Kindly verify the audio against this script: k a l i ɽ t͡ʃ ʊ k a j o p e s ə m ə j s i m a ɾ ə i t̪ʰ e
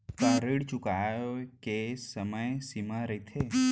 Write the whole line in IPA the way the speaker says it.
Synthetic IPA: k a ɾ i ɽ t͡ʃ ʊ k a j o k e s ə m ə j s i m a ɾ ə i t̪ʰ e